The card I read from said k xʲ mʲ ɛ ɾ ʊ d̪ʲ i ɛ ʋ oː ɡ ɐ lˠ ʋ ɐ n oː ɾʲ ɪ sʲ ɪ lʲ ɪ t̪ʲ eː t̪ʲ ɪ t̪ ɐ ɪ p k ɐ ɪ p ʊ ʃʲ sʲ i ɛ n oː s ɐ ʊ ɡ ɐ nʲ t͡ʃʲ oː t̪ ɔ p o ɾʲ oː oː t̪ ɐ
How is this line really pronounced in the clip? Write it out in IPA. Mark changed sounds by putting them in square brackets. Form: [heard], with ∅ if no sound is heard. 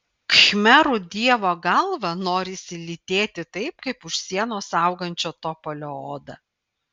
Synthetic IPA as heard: k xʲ mʲ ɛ ɾ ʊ d̪ʲ i ɛ ʋ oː ɡ ɐ lˠ ʋ ɐ n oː ɾʲ ɪ sʲ ɪ lʲ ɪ t̪ʲ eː t̪ʲ ɪ t̪ ɐ ɪ p k ɐ ɪ p ʊ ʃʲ sʲ i ɛ n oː s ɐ ʊ ɡ ɐ nʲ t͡ʃʲ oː t̪ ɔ p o [lʲ] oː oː [d̪] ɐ